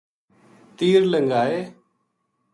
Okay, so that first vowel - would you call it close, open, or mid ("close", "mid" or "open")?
close